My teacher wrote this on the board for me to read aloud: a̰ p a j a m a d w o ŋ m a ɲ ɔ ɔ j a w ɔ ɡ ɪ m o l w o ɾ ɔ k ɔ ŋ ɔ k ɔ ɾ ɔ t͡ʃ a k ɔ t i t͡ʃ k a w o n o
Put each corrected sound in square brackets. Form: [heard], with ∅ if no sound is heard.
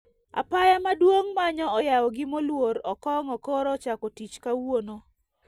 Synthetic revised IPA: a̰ p a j a m a d w o ŋ m a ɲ ɔ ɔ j a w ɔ ɡ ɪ m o l w o ɾ ɔ k ɔ ŋ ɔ k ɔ ɾ ɔ t͡ʃ a k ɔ t i t͡ʃ k a w o n o